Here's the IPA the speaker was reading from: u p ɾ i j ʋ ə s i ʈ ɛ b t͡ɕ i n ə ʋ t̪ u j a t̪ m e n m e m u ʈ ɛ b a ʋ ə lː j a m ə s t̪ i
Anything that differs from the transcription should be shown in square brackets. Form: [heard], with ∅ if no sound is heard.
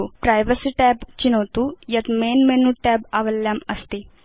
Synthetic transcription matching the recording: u p ɾ [a] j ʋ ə s i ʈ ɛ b t͡ɕ i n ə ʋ t̪ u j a t̪ m e n m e [n] u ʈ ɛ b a ʋ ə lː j a m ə s t̪ i